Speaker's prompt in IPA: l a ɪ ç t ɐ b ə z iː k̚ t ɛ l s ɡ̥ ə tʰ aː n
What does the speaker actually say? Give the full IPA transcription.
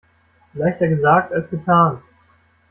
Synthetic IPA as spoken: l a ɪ ç t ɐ ɡ ə z aː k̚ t a l s ɡ̥ ə tʰ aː n